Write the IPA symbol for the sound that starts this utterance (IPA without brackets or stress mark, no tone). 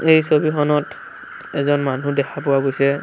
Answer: e